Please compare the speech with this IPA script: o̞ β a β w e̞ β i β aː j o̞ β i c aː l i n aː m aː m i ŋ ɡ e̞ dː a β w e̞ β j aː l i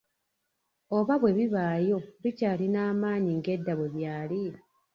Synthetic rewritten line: o̞ β a β w e̞ β i β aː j o̞ β i c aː l i n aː m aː ɲ i ŋ ɡ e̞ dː a β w e̞ β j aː l i